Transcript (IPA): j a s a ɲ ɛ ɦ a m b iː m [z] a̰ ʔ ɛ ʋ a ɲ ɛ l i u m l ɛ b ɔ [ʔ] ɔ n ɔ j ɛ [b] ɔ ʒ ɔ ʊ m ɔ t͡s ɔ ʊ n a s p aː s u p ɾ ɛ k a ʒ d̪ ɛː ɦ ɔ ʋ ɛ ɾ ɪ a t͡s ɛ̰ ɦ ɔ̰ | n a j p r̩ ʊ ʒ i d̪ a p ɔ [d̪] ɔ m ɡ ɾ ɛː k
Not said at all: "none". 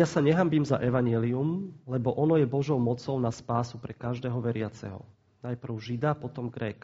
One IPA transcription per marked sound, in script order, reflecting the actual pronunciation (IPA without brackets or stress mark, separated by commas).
z, ʔ, b, t̪